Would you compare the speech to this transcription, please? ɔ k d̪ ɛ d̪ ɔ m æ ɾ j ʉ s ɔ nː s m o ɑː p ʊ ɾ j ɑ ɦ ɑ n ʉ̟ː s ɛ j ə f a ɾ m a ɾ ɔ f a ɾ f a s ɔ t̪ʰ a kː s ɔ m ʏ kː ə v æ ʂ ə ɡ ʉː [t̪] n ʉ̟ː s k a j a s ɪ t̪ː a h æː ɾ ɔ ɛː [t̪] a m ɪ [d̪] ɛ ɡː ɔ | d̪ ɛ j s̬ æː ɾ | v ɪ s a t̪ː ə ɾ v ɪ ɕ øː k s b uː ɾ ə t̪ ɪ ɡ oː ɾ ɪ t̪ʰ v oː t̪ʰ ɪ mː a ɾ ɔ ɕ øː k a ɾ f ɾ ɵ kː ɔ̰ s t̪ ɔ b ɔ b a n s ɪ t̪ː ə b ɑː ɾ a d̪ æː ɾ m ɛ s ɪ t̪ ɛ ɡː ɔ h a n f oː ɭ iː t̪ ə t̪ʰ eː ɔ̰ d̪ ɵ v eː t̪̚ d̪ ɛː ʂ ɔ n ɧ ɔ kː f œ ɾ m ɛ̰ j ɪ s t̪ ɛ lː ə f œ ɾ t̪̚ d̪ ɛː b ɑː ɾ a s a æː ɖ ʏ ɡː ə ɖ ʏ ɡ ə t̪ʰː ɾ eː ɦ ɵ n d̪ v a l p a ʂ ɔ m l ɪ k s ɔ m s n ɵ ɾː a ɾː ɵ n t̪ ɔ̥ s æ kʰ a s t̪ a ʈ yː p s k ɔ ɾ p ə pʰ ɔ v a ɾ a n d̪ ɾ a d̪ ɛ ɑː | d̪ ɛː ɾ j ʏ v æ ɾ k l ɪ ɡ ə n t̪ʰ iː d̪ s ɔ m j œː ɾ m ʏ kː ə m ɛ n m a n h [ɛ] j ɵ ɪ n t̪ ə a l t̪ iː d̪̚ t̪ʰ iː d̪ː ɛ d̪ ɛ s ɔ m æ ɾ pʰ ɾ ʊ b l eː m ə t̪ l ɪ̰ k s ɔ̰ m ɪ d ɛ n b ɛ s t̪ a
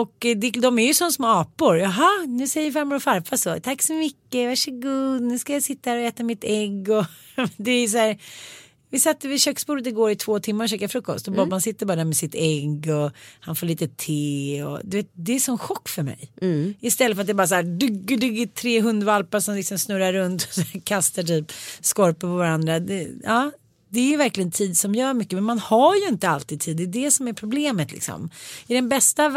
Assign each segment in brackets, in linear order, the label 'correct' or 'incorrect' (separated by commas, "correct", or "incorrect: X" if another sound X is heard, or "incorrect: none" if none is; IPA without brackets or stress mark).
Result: incorrect: d̪, correct, incorrect: t̪, incorrect: a